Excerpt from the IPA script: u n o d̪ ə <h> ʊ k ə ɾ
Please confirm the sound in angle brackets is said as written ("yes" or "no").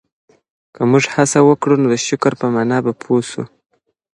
no